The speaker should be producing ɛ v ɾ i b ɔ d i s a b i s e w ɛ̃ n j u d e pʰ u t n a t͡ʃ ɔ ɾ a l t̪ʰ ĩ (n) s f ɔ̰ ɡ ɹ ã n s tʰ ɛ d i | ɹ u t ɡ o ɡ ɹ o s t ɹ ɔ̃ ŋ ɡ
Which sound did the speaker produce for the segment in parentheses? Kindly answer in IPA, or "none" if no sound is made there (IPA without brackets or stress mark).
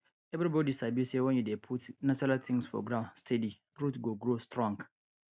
ŋ